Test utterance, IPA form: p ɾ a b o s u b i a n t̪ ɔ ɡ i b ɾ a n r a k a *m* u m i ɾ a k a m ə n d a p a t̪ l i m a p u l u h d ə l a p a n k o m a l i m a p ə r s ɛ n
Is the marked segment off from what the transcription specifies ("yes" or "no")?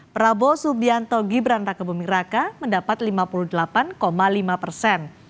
yes